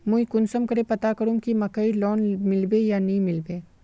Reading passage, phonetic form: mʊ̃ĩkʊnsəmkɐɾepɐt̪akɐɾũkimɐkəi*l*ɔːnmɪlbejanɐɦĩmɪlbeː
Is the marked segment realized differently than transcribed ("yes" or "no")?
no